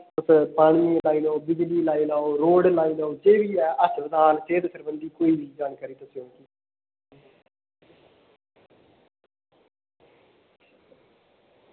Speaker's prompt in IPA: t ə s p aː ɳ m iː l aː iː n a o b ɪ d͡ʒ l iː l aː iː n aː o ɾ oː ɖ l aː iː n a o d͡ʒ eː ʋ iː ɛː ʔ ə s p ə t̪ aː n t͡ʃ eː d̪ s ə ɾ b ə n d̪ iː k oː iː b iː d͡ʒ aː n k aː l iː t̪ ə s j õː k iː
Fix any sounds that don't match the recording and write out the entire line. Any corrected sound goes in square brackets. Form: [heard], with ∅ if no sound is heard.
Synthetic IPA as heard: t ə s p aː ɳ m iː l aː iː n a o b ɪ d͡ʒ l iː l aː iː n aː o ɾ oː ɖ l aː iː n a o d͡ʒ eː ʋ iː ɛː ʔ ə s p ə [d̪] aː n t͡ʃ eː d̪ s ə ɾ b ə n d̪ iː k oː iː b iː d͡ʒ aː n k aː [ɾ] iː t̪ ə s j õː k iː